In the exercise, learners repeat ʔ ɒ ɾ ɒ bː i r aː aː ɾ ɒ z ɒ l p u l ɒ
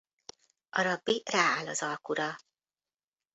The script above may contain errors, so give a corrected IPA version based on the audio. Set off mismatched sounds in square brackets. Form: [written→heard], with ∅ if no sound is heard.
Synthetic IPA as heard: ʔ ɒ ɾ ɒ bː i r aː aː [ɾ→l] ɒ z ɒ l [p→k] u [l→ɾ] ɒ